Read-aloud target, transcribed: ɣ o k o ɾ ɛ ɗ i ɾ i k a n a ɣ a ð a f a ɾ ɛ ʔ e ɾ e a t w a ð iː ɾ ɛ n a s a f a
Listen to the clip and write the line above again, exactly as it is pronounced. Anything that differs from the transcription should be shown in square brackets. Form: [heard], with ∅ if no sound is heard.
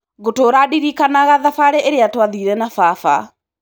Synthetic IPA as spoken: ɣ o [t] o ɾ [a] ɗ i ɾ i k a n a ɣ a ð a f a ɾ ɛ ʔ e ɾ e a t w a ð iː ɾ ɛ n a [f] a f a